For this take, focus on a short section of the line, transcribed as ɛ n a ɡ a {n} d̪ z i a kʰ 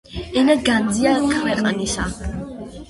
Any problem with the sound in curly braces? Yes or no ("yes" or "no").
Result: no